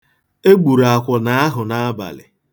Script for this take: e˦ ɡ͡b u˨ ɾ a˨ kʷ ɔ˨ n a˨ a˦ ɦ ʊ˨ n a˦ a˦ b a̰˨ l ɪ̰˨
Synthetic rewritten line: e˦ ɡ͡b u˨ ɾ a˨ kʷ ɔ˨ n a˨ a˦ ɦ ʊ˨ n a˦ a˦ b a̰˨ l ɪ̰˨